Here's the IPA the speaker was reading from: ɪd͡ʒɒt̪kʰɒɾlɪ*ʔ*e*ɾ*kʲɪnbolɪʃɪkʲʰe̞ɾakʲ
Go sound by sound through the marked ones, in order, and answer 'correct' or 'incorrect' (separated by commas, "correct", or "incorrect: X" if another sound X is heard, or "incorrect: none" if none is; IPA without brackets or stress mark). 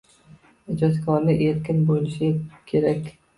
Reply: correct, correct